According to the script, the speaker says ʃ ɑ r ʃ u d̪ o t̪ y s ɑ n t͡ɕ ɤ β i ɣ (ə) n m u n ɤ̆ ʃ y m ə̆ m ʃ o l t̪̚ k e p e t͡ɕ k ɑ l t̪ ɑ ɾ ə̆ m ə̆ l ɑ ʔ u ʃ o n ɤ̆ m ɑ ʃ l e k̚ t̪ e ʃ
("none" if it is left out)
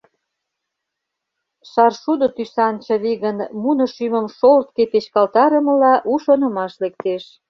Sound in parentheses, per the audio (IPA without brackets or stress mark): ə